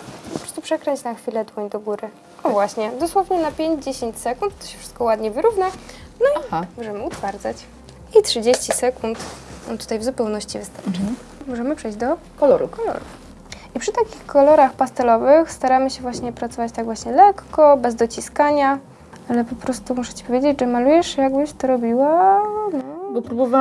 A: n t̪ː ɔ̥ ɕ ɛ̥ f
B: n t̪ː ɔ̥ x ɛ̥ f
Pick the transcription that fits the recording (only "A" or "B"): A